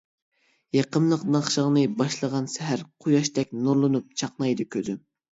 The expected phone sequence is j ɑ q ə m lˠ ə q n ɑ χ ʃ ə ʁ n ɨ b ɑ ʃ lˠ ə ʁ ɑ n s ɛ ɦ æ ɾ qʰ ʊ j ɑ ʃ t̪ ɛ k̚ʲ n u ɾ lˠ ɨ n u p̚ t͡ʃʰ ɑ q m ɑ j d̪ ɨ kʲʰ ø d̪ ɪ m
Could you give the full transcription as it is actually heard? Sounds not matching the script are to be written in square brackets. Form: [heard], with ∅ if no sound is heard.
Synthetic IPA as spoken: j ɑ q ə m lˠ ə q n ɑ χ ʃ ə ʁ n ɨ b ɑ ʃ lˠ ə ʁ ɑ n s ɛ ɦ æ ɾ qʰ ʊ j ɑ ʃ t̪ ɛ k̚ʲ n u ɾ lˠ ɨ n u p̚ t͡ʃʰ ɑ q [n] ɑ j d̪ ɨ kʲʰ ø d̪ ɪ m